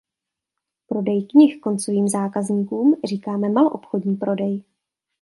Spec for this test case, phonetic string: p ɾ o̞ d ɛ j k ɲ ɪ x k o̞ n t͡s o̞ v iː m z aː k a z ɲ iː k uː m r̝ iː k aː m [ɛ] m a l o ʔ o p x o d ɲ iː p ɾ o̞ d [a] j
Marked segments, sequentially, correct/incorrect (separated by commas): correct, incorrect